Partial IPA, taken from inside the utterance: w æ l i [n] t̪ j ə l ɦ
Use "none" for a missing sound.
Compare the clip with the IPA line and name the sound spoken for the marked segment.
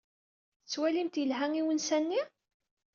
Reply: m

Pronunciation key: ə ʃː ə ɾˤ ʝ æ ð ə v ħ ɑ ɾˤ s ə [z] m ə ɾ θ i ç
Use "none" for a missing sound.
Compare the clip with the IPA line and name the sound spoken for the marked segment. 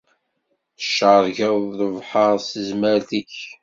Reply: z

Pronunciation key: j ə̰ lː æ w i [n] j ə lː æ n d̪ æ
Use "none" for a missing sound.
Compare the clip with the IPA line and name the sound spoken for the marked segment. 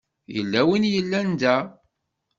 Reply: n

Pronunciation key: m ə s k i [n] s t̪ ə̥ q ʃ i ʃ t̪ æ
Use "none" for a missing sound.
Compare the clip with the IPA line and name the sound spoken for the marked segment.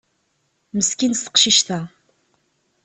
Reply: n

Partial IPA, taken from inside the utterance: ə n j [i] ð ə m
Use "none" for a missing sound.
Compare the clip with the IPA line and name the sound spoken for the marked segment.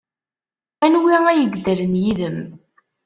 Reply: i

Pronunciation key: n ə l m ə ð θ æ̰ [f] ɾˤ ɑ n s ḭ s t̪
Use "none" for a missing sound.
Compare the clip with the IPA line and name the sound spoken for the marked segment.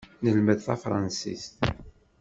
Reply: f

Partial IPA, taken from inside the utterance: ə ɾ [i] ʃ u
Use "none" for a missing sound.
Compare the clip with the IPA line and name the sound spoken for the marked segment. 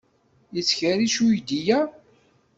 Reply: i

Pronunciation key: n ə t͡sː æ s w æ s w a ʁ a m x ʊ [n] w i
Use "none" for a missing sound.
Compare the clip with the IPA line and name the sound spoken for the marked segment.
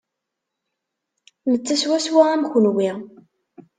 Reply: n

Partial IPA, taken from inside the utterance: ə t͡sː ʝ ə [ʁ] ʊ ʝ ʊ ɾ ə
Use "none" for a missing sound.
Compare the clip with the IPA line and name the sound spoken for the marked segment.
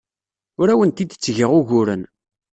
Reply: ʁ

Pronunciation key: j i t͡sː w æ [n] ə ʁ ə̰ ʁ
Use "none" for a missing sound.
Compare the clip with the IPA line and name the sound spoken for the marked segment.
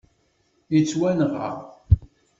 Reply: n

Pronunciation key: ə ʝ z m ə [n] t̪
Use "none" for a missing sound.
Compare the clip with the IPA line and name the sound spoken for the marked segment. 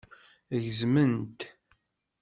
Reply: n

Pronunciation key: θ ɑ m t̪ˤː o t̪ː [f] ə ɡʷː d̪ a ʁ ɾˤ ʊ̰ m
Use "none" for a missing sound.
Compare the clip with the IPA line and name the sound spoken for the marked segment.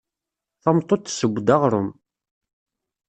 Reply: s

